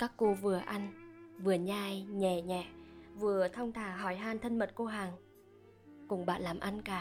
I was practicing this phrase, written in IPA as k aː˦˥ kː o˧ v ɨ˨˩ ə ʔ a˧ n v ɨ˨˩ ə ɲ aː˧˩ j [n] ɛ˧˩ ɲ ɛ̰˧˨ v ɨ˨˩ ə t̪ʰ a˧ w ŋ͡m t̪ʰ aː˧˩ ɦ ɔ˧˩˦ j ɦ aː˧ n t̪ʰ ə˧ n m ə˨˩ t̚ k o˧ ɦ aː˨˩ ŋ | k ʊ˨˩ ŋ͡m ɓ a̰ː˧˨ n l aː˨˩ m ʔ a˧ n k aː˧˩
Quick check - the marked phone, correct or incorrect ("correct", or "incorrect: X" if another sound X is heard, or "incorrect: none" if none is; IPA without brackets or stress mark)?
incorrect: ɲ